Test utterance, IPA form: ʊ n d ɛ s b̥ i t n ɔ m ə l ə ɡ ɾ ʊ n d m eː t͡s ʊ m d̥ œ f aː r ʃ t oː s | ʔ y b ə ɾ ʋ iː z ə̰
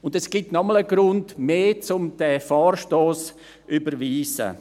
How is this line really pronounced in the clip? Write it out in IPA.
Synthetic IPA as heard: ʊ n d ɛ s ɡ̥ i t n ɔ m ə l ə ɡ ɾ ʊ n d m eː t͡s ʊ m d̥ ɛ f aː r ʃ t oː s | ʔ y b ə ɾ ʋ iː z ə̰